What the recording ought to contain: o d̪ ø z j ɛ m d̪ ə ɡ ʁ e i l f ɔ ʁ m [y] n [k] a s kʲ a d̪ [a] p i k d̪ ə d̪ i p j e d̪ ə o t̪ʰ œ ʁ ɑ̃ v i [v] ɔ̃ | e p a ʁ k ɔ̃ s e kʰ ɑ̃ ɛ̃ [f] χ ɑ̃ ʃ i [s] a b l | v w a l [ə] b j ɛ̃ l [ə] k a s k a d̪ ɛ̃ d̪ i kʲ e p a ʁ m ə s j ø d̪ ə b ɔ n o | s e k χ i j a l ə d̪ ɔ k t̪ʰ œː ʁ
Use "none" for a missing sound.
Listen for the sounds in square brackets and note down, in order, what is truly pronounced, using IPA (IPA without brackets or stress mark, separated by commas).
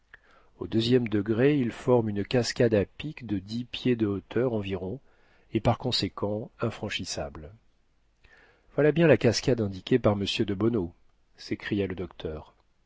y, k, a, ʁ, f, s, a, a